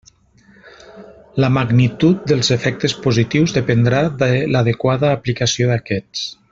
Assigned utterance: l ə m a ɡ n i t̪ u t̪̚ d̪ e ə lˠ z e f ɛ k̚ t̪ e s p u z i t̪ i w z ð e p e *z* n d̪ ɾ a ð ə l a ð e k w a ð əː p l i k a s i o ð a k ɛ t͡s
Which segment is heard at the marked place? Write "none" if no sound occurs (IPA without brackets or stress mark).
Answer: none